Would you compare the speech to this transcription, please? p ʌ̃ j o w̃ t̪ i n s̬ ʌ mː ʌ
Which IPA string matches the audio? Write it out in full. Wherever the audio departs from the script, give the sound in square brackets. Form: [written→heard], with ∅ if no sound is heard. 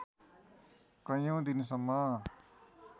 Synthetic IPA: [p→k] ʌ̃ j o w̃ [t̪→d̪] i n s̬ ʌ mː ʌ